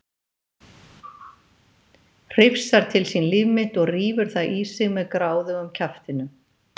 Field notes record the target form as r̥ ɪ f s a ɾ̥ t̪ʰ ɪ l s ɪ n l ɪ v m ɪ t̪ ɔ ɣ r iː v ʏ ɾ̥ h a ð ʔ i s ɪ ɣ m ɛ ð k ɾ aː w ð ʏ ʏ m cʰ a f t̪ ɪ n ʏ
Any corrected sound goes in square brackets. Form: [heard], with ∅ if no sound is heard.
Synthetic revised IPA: r̥ ɪ f s a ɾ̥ t̪ʰ ɪ l s [i] n l ɪ v m ɪ t̪ ɔ ɣ r iː v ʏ ɾ̥ [θ] a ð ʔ i s ɪ ɣ m ɛ ð k ɾ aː w ð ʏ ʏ m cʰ a f t̪ ɪ n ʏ